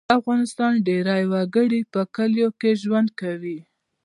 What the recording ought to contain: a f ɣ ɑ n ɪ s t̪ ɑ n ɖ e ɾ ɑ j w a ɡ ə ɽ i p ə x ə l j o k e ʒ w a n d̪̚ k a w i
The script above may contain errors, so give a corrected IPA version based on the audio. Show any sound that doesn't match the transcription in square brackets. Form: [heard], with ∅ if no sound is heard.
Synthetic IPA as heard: a f ɣ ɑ n ɪ s t̪ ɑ n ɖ e ɾ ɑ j w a ɡ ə ɽ i p ə [k] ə l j o k e ʒ w a n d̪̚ k a w i